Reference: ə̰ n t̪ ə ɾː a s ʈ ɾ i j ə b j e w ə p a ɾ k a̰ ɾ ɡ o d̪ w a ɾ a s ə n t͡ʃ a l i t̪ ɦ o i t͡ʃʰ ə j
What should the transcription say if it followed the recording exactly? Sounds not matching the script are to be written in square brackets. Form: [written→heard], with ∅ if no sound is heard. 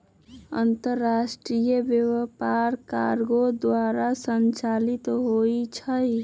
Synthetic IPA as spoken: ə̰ n t̪ ə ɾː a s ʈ ɾ i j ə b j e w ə p a ɾ k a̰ ɾ ɡ o d̪ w a ɾ a s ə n t͡ʃ a l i t̪ ɦ o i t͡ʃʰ ə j